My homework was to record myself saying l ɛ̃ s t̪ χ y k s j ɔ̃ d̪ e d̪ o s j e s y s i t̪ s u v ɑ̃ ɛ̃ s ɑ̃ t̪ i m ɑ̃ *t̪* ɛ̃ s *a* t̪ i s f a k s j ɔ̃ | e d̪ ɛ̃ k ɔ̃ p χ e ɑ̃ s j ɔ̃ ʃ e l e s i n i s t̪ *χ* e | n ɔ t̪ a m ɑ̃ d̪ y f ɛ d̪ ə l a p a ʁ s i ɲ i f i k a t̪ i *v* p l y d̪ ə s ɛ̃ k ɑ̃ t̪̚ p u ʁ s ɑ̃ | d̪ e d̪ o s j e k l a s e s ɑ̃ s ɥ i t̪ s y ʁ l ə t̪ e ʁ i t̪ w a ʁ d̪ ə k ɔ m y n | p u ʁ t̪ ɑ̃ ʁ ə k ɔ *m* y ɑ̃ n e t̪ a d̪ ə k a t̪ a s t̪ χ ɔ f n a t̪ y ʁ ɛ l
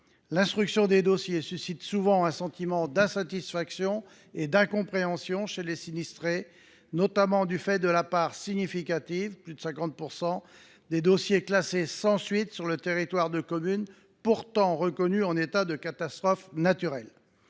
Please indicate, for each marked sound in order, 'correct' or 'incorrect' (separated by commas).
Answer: incorrect, correct, correct, correct, incorrect